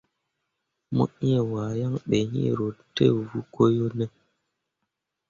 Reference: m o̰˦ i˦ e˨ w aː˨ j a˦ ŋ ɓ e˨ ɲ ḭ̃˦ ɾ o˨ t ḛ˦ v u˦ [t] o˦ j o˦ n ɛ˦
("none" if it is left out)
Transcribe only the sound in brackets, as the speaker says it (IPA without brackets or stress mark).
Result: k